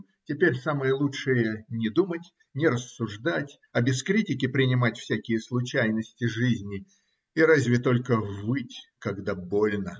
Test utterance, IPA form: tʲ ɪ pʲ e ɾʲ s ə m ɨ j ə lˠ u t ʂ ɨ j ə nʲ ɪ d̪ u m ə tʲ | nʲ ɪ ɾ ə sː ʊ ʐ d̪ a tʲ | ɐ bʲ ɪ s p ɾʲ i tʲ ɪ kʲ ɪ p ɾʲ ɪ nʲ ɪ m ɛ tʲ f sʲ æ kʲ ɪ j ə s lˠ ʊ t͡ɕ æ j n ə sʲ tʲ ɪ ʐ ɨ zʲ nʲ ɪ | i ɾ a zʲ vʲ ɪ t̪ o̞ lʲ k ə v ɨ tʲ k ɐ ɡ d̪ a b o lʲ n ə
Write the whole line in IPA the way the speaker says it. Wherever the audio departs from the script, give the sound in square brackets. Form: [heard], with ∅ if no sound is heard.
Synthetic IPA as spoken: tʲ ɪ pʲ e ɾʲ s [a] m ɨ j ə lˠ u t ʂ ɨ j ə nʲ ɪ d̪ u m ə tʲ | nʲ ɪ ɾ ə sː ʊ ʐ d̪ a tʲ | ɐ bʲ ɪ s [k] ɾʲ i tʲ ɪ kʲ ɪ p ɾʲ ɪ nʲ ɪ m [a] tʲ f sʲ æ kʲ ɪ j ə s lˠ ʊ t͡ɕ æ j n ə sʲ tʲ ɪ ʐ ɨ zʲ nʲ ɪ | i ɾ a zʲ vʲ ɪ t̪ o̞ lʲ k ə v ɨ tʲ k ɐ ɡ d̪ a b o lʲ n ə